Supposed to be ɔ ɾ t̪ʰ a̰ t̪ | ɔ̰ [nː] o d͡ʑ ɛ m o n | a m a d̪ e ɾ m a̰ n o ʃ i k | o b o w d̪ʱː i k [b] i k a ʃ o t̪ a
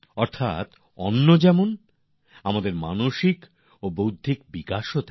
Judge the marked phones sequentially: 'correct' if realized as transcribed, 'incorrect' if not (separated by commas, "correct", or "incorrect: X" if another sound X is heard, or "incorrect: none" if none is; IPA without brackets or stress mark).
correct, correct